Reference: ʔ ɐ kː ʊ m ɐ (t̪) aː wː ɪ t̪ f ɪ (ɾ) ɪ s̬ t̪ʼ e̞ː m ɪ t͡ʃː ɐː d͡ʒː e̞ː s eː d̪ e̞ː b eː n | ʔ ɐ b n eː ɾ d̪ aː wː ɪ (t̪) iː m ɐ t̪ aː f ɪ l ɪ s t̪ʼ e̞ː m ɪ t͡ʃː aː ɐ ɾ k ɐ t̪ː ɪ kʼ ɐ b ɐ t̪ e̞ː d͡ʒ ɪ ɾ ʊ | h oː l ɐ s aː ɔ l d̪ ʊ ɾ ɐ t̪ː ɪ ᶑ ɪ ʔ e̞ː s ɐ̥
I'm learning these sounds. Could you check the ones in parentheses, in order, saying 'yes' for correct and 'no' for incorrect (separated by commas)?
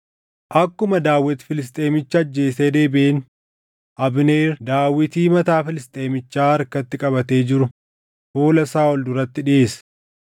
no, no, yes